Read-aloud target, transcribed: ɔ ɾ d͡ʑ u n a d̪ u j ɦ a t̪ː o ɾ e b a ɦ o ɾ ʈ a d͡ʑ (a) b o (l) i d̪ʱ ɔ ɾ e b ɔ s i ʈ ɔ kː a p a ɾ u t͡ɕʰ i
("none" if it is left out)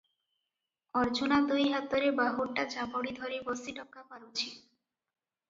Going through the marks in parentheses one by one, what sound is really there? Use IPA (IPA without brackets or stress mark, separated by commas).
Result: a, ɽ